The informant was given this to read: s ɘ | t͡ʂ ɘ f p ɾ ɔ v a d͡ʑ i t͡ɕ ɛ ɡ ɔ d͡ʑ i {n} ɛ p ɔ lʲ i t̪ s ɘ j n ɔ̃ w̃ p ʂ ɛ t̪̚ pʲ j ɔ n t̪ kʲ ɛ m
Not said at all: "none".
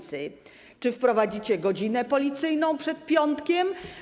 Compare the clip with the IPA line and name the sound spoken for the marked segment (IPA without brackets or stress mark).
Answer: n